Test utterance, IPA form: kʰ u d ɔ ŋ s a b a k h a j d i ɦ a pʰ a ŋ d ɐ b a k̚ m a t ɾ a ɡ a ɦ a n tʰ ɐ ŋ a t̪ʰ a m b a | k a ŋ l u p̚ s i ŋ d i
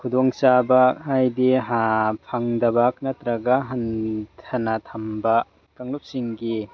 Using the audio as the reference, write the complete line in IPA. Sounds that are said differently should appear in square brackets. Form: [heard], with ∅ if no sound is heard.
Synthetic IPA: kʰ u d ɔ ŋ s a b a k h a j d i ɦ a pʰ a ŋ d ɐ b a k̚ [n] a t ɾ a ɡ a ɦ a n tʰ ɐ [n] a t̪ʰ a m b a | k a ŋ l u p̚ s i ŋ [ɡ] i